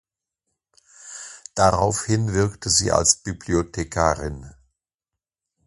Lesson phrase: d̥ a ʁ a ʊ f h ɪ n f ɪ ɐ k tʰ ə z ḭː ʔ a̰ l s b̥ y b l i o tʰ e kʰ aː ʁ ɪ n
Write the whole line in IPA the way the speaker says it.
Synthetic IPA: d̥ a ʁ a ʊ f h ɪ n v ɪ ɐ k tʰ ə z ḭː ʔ a̰ l s b̥ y b l i o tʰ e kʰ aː ʁ ɪ n